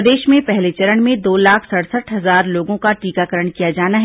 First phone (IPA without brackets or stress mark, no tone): d̪